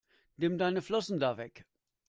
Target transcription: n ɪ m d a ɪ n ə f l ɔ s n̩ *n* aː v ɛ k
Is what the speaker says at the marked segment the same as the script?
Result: no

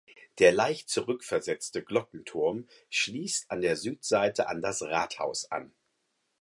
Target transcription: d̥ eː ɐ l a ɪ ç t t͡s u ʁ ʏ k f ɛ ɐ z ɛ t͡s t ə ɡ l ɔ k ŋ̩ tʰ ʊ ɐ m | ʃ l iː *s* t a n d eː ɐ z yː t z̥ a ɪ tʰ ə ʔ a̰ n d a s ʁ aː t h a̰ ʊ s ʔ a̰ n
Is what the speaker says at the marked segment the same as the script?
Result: yes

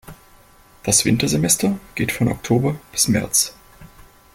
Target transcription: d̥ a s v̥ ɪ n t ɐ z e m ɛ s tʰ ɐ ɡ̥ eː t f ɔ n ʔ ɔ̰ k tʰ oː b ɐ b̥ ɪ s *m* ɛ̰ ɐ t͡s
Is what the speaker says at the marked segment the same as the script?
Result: yes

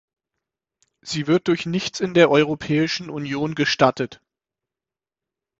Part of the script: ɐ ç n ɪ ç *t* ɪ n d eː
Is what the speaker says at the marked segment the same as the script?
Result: no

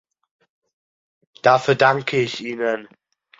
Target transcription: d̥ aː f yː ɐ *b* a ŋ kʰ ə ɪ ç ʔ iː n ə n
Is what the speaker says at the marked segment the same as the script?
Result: no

